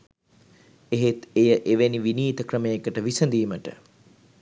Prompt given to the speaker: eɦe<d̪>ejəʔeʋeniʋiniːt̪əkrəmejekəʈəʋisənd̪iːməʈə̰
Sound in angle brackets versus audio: incorrect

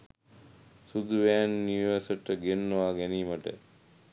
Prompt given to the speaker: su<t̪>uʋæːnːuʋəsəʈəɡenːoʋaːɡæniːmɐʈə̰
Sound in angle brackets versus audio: incorrect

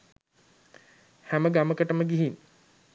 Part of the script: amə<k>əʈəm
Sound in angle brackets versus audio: correct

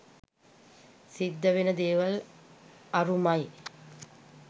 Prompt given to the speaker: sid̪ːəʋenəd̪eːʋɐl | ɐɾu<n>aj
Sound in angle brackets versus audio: incorrect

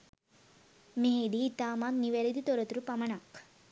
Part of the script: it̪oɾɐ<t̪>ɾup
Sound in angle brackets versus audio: correct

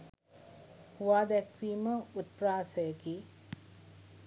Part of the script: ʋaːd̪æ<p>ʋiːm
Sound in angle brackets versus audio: incorrect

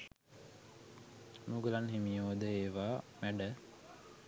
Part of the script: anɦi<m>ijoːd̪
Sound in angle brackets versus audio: correct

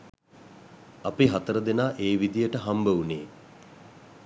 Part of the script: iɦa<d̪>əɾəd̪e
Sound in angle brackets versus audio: incorrect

